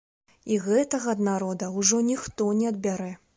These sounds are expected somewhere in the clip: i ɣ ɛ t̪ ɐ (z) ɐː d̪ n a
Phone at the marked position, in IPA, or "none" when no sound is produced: ɣ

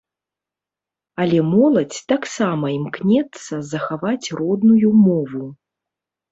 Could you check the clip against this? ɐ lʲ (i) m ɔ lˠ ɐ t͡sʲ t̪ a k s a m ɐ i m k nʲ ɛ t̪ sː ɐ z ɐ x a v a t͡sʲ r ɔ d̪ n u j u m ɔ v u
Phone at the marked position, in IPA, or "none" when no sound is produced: ɛ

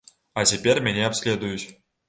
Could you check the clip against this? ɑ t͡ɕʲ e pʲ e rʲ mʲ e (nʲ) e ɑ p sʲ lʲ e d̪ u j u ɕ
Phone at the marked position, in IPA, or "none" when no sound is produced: nʲ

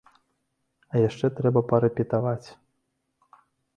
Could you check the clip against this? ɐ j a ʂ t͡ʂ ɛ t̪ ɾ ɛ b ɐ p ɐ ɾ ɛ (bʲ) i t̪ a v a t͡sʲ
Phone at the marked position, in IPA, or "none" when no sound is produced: pʲ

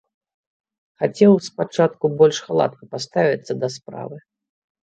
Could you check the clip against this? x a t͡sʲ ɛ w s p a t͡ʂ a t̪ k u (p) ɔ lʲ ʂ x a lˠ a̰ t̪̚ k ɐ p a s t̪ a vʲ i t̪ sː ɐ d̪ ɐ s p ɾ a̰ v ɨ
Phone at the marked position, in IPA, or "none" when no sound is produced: b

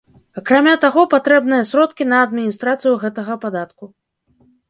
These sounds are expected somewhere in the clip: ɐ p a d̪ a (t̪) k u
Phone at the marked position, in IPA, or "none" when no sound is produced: t̪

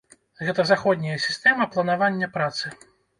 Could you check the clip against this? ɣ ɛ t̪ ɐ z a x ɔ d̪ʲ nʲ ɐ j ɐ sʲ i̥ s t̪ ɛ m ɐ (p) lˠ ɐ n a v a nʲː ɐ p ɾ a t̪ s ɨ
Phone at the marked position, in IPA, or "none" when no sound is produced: p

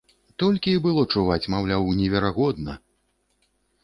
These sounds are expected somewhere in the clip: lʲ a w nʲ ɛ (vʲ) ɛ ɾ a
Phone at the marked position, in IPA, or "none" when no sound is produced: vʲ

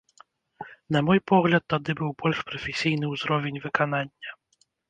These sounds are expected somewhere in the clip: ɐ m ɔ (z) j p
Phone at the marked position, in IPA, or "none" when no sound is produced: none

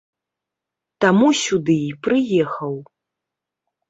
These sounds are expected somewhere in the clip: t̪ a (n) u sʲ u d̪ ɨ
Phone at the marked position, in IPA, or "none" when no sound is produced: m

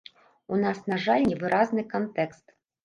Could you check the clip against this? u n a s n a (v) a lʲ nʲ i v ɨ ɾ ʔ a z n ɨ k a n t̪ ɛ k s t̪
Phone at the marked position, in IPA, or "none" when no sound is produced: ʐ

